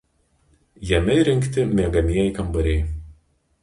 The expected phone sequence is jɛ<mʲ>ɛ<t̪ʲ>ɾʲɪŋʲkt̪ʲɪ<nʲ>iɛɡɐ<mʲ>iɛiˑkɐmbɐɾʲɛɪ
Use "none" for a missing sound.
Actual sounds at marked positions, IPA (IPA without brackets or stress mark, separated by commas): mʲ, none, mʲ, mʲ